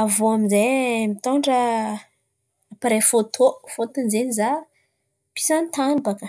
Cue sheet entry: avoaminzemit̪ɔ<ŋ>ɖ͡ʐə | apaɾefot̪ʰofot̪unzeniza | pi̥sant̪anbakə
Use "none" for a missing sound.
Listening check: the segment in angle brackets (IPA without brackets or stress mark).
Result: ɳ